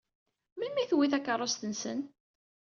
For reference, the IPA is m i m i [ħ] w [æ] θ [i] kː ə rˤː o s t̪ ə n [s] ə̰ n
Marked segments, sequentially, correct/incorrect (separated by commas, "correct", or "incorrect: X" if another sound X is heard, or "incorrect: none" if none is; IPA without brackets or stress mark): incorrect: θ, incorrect: i, incorrect: æ, correct